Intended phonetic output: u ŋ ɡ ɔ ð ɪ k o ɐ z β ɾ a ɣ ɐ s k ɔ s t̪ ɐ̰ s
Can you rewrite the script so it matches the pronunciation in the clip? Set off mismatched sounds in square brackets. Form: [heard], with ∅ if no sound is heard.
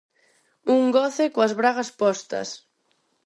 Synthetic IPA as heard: u ŋ ɡ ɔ [θ] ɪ k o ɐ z β ɾ a ɣ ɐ s [p] ɔ s t̪ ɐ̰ s